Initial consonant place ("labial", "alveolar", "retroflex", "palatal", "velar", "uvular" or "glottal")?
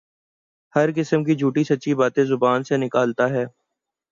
glottal